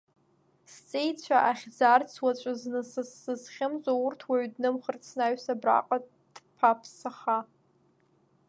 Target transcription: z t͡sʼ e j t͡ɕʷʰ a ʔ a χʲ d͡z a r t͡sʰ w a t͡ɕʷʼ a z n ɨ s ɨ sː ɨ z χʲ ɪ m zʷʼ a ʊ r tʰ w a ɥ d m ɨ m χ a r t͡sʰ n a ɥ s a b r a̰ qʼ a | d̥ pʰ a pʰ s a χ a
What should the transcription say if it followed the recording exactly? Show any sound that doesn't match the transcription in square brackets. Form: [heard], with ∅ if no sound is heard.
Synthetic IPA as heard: [s] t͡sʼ e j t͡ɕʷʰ a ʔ a χʲ d͡z a r t͡sʰ w a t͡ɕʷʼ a z n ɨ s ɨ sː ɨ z χʲ ɪ m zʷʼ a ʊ r tʰ w a ɥ d [n] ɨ m χ [ə] r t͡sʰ n a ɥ s a b r a̰ qʼ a | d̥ pʰ a pʰ s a χ a